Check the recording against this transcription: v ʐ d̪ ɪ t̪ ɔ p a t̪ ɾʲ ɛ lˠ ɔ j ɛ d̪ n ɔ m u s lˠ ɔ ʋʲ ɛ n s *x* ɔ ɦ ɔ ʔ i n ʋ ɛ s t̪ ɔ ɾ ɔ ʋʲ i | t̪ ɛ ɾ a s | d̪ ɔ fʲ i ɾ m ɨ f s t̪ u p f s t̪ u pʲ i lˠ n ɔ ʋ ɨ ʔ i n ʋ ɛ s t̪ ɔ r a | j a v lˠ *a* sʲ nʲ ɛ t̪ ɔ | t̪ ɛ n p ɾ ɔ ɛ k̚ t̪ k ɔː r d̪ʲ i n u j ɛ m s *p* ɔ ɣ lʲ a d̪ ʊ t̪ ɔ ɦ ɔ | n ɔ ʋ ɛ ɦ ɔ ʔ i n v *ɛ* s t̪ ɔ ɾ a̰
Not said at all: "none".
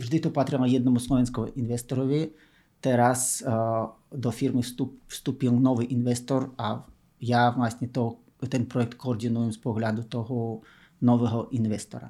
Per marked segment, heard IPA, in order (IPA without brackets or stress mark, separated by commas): k, a, p, ɛ